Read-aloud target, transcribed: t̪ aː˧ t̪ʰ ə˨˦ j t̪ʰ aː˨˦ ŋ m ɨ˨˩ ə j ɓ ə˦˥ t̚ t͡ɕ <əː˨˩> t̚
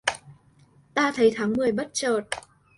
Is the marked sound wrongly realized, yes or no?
no